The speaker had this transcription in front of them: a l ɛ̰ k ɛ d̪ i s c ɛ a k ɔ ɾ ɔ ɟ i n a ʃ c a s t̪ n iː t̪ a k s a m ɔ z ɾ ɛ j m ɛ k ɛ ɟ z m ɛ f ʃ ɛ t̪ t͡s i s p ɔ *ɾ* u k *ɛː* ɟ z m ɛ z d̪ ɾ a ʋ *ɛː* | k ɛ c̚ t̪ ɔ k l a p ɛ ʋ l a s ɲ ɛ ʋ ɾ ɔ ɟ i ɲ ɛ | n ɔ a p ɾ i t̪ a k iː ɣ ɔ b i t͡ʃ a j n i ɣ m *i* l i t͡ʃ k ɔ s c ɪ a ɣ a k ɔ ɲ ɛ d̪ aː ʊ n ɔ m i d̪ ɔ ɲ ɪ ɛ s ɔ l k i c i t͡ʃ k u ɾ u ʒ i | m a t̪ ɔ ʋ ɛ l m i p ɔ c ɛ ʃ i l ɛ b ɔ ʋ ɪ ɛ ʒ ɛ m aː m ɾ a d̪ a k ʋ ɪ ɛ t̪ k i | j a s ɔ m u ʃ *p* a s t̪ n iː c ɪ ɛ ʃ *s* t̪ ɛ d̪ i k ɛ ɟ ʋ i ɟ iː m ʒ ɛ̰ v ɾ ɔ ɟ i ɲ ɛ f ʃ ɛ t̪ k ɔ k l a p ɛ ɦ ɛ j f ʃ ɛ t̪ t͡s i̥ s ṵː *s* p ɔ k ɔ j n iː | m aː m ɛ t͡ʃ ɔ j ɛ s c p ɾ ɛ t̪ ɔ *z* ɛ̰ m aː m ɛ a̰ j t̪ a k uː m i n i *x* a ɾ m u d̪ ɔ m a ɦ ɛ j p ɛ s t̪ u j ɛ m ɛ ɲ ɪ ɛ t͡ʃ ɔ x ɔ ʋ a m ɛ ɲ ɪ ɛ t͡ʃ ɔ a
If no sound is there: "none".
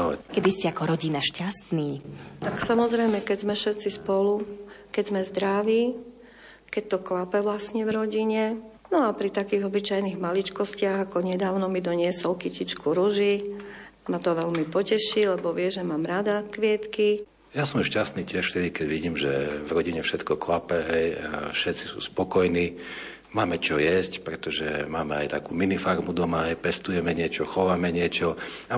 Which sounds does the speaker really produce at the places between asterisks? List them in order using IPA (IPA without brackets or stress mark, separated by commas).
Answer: l, ɛ, iː, a, c, f, s, ʒ, f